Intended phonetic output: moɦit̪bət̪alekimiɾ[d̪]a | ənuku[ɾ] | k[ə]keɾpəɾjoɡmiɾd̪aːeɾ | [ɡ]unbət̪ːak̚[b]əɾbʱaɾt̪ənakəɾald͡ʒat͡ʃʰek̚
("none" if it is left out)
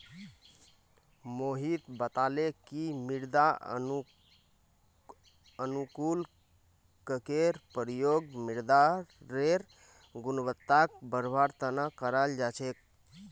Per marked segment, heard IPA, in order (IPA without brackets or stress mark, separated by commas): d̪, l, ə, ɡ, b